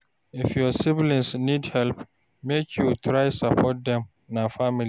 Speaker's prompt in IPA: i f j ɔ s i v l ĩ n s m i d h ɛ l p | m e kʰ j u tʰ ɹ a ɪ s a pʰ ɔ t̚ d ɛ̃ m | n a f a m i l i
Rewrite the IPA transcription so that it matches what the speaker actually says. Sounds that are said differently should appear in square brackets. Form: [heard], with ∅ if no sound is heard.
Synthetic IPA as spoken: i f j ɔ s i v l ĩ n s [n] i d h ɛ l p | m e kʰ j u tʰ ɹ a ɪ s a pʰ ɔ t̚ d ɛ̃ m | n a f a m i l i